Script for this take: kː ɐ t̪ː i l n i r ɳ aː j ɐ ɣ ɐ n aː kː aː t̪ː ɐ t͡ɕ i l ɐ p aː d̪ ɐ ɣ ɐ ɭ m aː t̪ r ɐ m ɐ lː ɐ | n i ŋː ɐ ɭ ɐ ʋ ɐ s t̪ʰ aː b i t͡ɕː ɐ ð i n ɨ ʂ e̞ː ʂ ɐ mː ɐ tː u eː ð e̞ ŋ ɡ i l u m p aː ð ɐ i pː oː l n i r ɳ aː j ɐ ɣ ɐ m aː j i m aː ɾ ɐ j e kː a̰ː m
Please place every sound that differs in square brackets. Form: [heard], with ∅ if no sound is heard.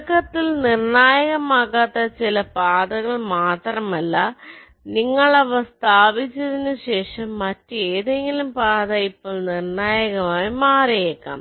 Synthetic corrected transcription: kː ɐ t̪ː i l n i r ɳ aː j ɐ ɣ ɐ [m] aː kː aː t̪ː ɐ t͡ɕ i l ɐ p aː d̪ ɐ ɣ ɐ ɭ m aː t̪ r ɐ m ɐ lː ɐ | n i ŋː ɐ ɭ ɐ ʋ ɐ s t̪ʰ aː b i t͡ɕː ɐ ð i n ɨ [ɕ] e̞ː ʂ ɐ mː ɐ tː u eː ð e̞ ŋ ɡ i l u m p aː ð ɐ i pː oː [ɭ] n i r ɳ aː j ɐ ɣ ɐ m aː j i m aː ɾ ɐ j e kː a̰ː m